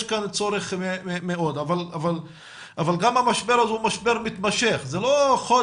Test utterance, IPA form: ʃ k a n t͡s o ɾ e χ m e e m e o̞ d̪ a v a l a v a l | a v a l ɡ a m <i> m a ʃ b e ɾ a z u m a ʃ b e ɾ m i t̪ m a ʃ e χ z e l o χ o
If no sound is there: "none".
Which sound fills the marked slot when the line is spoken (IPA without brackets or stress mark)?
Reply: a